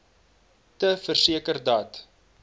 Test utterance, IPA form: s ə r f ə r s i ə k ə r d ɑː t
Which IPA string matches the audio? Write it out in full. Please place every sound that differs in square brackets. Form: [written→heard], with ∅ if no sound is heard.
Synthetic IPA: [s→t] ə [r→∅] f ə r s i ə k ə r d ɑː t